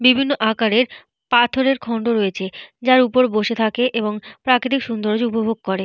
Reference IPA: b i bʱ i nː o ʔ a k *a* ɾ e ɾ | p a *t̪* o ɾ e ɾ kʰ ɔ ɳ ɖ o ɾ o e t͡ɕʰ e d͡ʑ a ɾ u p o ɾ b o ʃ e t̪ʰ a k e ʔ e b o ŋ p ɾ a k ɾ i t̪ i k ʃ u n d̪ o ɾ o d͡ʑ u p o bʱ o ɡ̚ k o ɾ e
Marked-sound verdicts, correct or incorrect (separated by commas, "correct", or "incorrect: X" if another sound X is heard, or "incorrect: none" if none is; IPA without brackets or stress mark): correct, incorrect: t̪ʰ